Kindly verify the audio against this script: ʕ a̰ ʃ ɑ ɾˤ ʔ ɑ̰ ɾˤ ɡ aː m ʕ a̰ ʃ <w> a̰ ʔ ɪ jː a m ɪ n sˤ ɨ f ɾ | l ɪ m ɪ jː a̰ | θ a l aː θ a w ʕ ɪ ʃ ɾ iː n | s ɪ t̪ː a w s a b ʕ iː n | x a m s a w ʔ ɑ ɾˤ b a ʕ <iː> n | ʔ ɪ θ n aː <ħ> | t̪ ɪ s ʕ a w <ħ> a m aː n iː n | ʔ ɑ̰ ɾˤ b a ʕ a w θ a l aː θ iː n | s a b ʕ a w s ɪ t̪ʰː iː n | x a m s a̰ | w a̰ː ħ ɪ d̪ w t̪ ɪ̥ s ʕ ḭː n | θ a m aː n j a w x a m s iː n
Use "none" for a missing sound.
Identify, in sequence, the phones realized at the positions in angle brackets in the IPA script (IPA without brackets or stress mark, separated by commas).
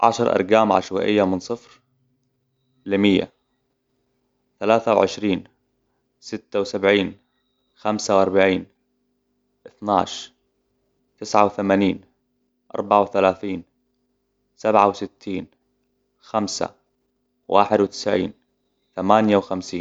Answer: w, iː, ʃ, θ